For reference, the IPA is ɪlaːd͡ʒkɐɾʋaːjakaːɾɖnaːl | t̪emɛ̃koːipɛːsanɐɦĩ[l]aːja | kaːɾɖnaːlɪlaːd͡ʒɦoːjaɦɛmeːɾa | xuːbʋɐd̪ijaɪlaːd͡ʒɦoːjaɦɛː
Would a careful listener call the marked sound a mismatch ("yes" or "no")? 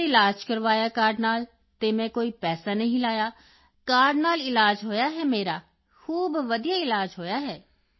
no